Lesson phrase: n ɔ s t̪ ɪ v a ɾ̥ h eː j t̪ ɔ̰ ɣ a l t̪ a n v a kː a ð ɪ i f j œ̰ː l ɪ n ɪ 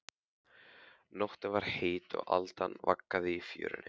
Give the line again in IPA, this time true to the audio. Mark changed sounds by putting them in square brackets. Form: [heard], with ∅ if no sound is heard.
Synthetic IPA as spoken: n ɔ [h] t̪ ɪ v a ɾ̥ h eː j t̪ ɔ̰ ɣ a l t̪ a n v a kː a ð ɪ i f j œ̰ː [ɾ] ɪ n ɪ